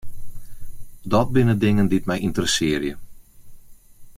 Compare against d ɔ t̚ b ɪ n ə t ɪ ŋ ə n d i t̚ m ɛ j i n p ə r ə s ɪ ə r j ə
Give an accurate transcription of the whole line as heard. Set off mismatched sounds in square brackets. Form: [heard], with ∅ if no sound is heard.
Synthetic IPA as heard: d ɔ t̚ b ɪ n ə [d] ɪ ŋ ə n d i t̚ m ɛ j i n [t] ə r ə s ɪ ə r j ə

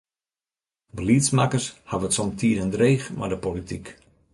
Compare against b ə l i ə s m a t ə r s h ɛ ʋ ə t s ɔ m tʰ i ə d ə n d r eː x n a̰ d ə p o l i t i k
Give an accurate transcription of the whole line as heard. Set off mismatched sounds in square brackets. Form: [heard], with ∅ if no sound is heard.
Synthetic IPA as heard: b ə l i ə s m a [k] ə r s h [a] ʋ ə t s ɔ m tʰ i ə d ə n d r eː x [m] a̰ d ə p o l i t i k

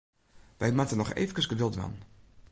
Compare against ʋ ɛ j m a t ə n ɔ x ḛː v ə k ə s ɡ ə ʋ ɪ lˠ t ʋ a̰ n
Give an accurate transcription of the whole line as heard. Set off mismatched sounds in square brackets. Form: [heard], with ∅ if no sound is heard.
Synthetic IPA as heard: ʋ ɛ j m a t ə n ɔ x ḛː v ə k ə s ɡ ə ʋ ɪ lˠ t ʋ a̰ n

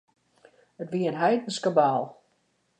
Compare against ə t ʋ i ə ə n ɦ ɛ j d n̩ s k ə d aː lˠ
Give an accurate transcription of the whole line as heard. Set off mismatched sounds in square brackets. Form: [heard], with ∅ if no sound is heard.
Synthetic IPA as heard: ə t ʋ i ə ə n ɦ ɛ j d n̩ s k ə [b] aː lˠ

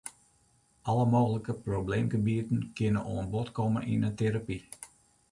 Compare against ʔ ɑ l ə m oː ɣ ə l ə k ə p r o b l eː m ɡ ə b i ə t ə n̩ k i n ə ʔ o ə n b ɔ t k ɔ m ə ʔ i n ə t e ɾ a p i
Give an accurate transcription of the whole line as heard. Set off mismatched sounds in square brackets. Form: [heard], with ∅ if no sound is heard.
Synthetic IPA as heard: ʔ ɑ l ə m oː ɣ ə l ə k ə p r o b l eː m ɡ ə b i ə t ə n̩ k [ɪ] n ə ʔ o ə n b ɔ t k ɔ m ə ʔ i n ə t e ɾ a p i

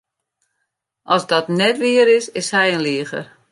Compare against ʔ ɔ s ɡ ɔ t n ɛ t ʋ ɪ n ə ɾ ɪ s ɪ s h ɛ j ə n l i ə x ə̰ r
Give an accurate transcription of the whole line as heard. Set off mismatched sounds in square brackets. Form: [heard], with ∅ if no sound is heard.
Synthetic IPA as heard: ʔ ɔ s [d] ɔ t n ɛ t ʋ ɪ [∅] ə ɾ ɪ s ɪ s h ɛ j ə n l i ə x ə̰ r

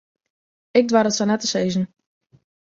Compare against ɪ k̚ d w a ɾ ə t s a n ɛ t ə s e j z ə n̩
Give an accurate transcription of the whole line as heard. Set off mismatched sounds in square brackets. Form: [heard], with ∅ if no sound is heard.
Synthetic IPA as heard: ɪ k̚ d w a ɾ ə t s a n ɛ t ə s e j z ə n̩

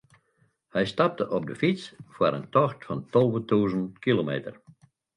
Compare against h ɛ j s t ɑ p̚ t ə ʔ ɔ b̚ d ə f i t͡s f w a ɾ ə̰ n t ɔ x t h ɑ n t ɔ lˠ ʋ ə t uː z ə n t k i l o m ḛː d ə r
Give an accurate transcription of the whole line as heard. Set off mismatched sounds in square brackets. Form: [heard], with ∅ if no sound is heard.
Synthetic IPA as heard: h ɛ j s t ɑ p̚ t ə ʔ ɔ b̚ d ə f i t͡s f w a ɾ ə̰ n t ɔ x t [f] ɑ n t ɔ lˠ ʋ ə t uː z ə n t k i l o m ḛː [t] ə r

